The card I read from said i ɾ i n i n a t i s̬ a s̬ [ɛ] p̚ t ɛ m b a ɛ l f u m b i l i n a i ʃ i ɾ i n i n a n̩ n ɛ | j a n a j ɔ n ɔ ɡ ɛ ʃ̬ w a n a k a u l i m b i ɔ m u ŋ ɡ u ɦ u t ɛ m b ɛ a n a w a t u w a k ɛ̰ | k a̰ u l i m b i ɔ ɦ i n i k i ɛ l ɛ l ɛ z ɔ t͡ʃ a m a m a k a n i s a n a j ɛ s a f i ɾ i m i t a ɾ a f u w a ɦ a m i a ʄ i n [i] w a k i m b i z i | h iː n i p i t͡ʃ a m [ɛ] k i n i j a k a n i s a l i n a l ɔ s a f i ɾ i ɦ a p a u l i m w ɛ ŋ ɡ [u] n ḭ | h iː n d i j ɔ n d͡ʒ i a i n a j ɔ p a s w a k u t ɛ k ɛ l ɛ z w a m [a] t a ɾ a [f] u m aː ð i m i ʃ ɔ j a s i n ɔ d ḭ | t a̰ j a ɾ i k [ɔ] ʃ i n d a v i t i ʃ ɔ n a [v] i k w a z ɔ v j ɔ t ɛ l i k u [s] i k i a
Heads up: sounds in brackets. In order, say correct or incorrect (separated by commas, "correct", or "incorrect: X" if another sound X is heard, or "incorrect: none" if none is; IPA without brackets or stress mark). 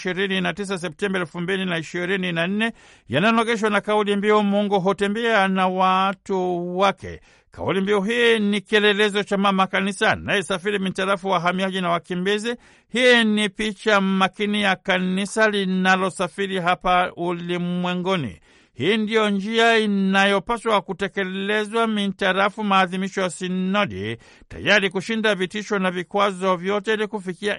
correct, incorrect: a, incorrect: a, incorrect: ɔ, incorrect: i, correct, incorrect: u, correct, incorrect: f